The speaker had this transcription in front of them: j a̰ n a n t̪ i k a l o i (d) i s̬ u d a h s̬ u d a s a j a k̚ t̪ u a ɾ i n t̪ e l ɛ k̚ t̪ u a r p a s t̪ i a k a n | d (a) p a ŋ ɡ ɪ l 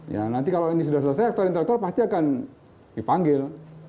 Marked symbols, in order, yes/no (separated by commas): no, no